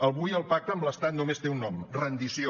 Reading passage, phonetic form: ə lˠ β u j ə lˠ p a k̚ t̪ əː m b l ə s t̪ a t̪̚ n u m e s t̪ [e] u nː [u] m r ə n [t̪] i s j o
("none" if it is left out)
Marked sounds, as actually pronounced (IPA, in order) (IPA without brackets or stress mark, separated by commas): e, ɔ, d̪